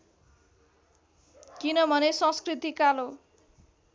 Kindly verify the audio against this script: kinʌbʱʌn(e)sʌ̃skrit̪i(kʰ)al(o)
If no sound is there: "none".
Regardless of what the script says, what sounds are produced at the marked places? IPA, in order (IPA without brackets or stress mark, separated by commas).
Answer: e, k, o